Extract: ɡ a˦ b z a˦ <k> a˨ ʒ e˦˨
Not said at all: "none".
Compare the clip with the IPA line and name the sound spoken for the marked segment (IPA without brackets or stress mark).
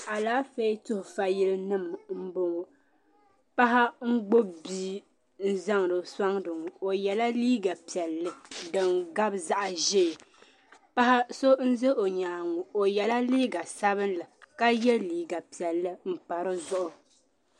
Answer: ʔ